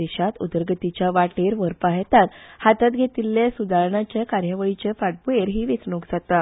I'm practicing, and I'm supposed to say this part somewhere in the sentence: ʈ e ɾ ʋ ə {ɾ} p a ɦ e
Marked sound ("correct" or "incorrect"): correct